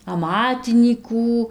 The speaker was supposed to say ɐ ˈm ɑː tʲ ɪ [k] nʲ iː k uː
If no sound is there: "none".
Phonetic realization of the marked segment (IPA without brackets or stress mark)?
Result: none